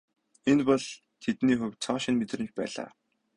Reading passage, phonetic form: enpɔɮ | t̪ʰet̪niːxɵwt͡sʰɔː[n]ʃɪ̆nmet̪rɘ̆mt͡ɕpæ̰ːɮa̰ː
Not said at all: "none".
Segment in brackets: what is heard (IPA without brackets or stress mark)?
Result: none